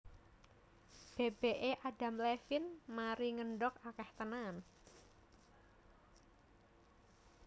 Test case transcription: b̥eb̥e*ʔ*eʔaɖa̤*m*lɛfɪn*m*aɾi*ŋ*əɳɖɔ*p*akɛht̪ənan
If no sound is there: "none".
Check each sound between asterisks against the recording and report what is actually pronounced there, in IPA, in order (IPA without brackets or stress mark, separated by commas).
ʔ, m, m, ŋ, k